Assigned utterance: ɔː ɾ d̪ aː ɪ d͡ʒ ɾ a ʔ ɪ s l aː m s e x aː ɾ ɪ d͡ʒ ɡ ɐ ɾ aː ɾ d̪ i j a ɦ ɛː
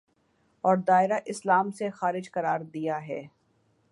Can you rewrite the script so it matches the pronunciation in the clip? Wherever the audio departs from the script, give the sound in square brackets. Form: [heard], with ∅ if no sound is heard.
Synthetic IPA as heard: ɔː ɾ d̪ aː ɪ [∅] ɾ a ʔ ɪ s l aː m s e x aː ɾ ɪ d͡ʒ [k] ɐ ɾ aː ɾ d̪ i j a ɦ ɛː